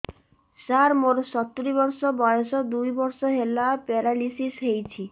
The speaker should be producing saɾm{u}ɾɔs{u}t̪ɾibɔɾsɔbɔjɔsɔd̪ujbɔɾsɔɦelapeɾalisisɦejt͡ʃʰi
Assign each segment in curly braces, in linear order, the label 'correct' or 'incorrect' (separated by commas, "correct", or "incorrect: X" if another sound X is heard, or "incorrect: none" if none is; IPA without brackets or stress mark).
incorrect: o, incorrect: ɔ